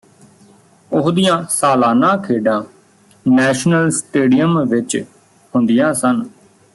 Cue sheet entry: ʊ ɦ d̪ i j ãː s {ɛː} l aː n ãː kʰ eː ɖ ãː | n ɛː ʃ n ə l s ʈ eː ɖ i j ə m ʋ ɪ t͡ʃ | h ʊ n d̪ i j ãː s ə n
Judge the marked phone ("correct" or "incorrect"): incorrect